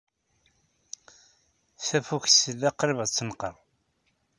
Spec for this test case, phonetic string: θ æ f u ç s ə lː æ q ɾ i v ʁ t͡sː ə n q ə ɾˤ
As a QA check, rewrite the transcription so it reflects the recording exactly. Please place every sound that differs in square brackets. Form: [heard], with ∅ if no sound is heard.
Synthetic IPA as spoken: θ æ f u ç s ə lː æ q ɾ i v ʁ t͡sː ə n q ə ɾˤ